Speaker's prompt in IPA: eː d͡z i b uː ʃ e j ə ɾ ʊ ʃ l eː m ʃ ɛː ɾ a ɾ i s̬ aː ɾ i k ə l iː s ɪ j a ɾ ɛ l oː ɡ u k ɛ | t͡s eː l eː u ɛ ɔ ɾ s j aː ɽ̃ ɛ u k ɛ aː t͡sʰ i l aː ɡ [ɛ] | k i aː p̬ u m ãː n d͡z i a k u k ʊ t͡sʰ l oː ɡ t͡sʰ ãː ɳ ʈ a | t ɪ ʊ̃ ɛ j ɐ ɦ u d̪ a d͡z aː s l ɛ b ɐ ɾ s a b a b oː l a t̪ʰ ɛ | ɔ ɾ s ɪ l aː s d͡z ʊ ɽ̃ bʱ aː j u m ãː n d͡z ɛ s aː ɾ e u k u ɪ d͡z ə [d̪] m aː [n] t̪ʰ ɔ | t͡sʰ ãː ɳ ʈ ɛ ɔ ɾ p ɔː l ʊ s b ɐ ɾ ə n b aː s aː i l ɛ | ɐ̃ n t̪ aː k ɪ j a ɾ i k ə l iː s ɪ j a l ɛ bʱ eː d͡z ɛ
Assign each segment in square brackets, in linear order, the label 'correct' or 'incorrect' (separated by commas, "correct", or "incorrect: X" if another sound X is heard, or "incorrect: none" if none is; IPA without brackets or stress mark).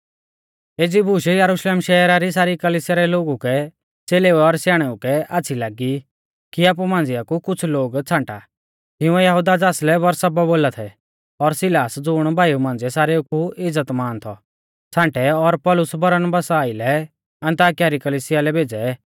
incorrect: i, incorrect: t̪, correct